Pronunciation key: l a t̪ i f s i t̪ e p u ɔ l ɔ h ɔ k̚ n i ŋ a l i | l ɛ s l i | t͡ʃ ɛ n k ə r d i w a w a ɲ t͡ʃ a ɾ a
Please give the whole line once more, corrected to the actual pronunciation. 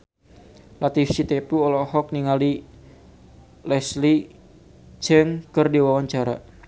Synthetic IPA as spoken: l a t̪ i f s i t̪ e p u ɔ l ɔ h ɔ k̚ n i ŋ a l i | l ɛ s l i | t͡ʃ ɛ ŋ k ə r d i w a w a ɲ t͡ʃ a ɾ a